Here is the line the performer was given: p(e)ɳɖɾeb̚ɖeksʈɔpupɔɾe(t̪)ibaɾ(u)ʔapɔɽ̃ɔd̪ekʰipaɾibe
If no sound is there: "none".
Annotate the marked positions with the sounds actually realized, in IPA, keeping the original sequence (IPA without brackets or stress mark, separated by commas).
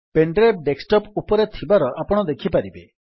e, t̪ʰ, ɔ